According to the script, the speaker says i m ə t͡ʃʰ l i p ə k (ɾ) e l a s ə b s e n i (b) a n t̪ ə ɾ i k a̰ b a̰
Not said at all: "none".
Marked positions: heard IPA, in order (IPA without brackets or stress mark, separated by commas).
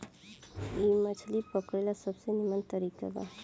ɾ, m